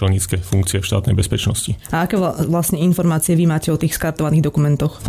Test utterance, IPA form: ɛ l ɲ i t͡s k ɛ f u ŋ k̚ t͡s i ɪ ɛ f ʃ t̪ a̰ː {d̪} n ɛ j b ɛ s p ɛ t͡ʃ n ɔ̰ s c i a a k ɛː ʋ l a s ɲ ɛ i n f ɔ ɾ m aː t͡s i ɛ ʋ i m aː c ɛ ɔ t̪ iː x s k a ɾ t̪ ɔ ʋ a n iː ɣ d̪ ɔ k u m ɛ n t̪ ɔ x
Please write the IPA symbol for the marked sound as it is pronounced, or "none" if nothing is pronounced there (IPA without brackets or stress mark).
t̪